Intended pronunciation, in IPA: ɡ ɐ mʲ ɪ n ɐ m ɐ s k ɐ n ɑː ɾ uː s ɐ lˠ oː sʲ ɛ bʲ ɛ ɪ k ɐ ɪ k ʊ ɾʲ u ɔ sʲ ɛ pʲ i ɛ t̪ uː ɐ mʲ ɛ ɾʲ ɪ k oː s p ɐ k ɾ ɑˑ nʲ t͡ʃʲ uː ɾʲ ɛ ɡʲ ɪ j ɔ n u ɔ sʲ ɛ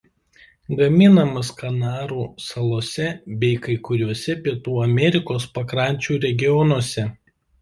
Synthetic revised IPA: ɡ ɐ mʲ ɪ n ɐ m ɐ s k ɐ n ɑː ɾ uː s ɐ lˠ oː sʲ ɛ bʲ ɛ ɪ k ɐ ɪ k ʊ ɾʲ u ɔ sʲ ɛ pʲ i ɛ t̪ uː ɐ mʲ ɛ ɾʲ ɪ k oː s p ɐ k ɾ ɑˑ nʲ t͡ʃʲ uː ɾʲ ɛ ɡʲ ɪ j ɔ n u ɔ sʲ ɛ